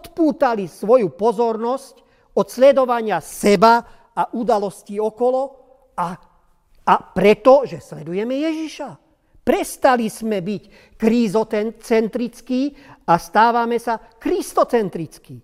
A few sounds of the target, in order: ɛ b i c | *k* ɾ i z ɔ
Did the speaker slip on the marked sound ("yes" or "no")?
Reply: no